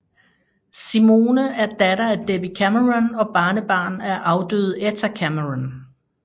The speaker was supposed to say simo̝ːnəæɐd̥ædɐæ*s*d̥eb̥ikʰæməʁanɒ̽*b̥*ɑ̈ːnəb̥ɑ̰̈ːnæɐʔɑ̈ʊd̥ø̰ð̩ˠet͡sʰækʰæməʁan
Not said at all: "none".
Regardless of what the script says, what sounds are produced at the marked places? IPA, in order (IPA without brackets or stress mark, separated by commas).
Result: none, b̥